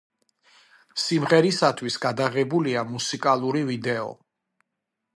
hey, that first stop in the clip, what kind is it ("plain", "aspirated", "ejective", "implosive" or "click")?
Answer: aspirated